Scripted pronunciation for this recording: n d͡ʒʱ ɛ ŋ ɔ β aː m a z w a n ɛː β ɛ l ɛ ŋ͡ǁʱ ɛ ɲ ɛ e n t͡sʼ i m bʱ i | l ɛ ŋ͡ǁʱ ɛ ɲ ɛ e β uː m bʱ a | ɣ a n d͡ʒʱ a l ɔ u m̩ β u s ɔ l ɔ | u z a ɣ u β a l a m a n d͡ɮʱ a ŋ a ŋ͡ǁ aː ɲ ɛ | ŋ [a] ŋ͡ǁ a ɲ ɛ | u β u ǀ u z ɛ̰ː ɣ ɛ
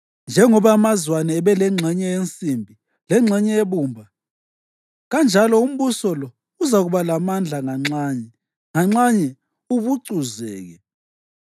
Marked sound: correct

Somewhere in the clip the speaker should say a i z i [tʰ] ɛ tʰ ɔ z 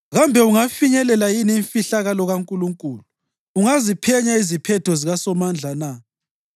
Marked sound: incorrect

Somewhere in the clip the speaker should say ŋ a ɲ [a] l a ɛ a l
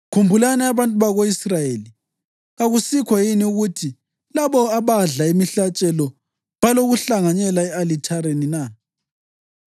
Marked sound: incorrect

